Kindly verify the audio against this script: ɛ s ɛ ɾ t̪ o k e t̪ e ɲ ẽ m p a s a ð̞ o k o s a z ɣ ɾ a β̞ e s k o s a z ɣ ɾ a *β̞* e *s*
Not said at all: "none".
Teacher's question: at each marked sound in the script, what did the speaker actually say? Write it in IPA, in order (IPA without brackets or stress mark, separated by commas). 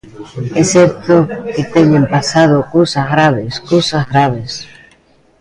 β̞, s